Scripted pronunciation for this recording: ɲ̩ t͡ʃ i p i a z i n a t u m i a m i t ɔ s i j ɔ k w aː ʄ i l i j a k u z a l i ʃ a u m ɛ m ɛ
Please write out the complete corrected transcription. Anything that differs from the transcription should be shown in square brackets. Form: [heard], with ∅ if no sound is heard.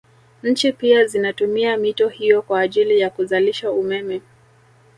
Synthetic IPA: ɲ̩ t͡ʃ i p i a z i n a t u m i a m i t ɔ [h] i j ɔ k w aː ʄ i l i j a k u z a l i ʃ a u m ɛ m ɛ